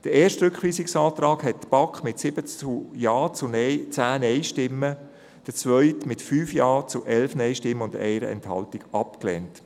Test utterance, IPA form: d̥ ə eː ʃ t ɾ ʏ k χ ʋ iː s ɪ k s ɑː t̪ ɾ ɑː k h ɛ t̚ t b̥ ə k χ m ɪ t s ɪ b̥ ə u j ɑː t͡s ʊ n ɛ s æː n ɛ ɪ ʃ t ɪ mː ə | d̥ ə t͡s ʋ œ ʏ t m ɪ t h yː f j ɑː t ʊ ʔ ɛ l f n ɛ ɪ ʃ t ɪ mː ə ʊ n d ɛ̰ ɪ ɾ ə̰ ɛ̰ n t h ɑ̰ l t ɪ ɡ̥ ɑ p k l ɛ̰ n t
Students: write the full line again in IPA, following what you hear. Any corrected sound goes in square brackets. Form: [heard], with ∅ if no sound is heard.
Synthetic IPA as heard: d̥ ə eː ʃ t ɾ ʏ k χ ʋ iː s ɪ k s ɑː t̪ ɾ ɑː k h ɛ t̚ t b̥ [ɑ] k χ m ɪ t s ɪ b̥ ə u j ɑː t͡s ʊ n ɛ [t͡s] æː n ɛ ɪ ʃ t ɪ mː ə | d̥ ə t͡s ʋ œ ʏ t m ɪ t [f] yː f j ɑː [t͡s] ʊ ʔ ɛ l f n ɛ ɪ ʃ t ɪ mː ə ʊ n d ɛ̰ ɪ ɾ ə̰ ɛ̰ n t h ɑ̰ l t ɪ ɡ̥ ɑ p k l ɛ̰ n t